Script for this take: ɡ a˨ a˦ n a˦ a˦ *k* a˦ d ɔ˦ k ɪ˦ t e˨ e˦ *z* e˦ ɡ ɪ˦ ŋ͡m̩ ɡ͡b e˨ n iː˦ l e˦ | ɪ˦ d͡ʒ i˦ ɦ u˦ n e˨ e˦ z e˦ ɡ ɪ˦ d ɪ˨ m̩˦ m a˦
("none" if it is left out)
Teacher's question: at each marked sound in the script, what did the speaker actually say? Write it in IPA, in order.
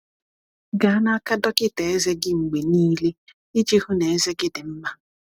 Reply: k, z

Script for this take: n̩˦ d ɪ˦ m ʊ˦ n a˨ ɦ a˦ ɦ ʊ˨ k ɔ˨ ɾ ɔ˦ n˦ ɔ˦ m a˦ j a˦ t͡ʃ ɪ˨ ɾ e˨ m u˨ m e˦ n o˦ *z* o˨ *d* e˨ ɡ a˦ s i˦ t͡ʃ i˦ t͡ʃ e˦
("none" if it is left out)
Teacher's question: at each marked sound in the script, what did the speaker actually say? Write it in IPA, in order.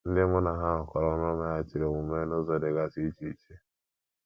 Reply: z, d

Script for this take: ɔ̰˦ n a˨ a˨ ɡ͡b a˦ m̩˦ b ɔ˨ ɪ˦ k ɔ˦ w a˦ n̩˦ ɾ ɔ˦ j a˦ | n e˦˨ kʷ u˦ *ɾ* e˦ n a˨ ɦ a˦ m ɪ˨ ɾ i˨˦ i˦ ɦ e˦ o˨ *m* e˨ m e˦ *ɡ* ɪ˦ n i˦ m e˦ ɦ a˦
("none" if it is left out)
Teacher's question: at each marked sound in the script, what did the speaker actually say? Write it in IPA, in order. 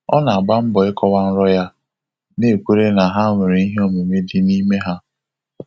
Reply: ɾ, m, d

